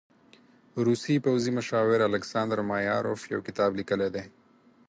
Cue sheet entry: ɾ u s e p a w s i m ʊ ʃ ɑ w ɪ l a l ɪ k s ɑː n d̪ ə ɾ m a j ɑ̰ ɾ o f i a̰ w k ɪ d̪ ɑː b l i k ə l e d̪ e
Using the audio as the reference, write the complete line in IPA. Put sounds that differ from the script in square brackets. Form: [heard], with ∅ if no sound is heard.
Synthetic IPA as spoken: ɾ u s [i] p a w [z] i m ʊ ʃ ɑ w ɪ [ɾ] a l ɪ k s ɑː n d̪ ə ɾ m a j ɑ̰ ɾ o f [j] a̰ w k ɪ [t̪] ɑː b l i k ə l e d̪ e